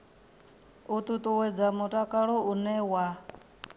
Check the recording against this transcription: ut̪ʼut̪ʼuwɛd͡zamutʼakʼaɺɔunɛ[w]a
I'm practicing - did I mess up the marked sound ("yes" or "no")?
no